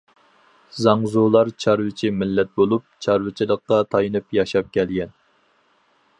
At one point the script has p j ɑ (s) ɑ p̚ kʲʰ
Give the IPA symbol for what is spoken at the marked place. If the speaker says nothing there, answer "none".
ʃ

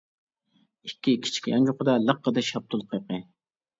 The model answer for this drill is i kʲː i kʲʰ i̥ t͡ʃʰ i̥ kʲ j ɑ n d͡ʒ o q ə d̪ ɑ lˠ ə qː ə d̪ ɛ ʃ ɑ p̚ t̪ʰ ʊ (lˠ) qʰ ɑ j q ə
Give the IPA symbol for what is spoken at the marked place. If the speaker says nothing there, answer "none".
lˠ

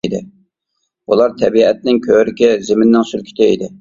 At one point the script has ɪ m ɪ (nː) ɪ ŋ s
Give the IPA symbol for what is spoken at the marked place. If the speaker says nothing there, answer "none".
nː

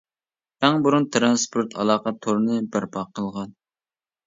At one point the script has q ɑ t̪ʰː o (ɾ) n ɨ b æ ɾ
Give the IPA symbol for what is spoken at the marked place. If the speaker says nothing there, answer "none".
ɾ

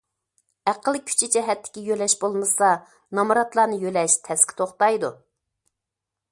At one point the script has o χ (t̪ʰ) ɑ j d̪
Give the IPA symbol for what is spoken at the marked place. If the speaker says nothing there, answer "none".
t̪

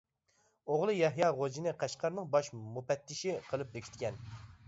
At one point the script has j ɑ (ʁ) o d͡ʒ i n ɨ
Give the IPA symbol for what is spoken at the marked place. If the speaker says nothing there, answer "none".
ʁ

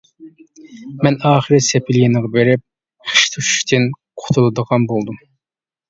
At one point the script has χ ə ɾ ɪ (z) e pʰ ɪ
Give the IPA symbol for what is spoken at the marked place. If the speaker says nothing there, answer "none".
s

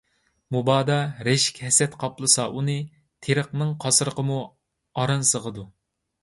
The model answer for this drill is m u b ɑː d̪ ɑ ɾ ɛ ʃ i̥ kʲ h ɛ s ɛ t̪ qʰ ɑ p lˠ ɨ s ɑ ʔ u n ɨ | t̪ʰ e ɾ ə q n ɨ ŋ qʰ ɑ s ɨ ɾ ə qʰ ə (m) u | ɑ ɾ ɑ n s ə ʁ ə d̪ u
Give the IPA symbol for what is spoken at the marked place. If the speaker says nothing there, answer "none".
m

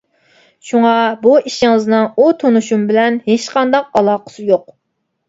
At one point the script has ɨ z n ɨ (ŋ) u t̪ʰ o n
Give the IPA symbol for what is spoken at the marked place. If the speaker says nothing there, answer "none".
ŋ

